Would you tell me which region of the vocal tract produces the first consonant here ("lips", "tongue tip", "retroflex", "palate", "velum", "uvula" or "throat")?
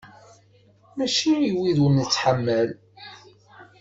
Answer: lips